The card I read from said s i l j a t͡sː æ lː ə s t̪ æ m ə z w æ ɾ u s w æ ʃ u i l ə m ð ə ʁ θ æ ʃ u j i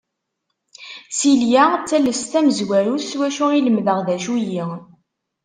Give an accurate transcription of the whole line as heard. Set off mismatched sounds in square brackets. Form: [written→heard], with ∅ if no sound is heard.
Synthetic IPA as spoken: s i l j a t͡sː æ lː ə s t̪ æ m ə z w æ ɾ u s w æ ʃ u i l ə m ð ə ʁ [θ→ð] æ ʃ u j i